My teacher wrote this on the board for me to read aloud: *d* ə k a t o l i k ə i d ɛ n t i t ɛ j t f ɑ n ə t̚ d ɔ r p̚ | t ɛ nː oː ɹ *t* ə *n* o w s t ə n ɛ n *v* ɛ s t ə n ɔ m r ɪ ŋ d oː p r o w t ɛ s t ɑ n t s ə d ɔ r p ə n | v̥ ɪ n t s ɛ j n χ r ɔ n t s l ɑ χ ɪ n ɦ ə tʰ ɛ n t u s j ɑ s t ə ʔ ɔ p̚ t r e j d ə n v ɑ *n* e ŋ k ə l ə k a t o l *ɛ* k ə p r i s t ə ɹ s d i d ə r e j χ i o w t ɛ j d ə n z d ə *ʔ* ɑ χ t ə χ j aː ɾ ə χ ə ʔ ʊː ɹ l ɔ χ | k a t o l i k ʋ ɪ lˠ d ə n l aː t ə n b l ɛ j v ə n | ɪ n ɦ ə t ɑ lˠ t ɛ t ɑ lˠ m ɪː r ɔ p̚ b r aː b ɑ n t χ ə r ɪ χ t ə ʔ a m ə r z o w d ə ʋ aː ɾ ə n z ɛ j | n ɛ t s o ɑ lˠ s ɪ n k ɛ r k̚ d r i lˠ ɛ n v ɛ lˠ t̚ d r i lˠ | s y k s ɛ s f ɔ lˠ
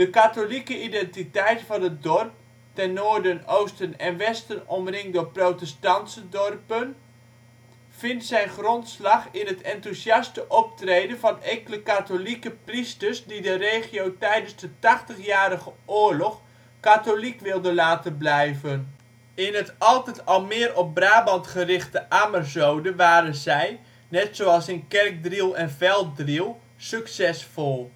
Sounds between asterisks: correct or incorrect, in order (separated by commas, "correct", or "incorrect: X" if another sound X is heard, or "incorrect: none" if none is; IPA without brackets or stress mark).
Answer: correct, incorrect: d, correct, incorrect: ʋ, correct, incorrect: i, incorrect: t